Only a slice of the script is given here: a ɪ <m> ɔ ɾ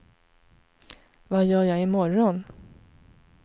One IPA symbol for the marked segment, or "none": m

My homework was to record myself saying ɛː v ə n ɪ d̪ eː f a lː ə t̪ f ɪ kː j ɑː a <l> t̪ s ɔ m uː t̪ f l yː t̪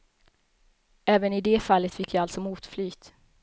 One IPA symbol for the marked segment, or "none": l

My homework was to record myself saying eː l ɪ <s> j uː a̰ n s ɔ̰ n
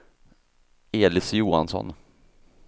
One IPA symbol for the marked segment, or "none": s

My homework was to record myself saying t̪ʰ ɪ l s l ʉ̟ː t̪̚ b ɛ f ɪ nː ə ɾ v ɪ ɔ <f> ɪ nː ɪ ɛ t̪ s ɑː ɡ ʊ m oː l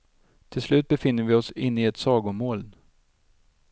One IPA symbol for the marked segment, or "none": s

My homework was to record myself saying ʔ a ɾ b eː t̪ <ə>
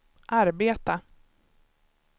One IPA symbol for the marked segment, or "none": a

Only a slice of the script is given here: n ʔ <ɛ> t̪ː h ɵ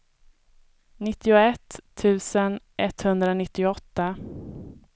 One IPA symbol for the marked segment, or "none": ɛ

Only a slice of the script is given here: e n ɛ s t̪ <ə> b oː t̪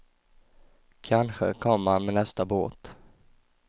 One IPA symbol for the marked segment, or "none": a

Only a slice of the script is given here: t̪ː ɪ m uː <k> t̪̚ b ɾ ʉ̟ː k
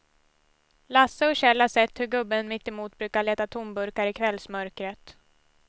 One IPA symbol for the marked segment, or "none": none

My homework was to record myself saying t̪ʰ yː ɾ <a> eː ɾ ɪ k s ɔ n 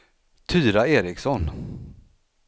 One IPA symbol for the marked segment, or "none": a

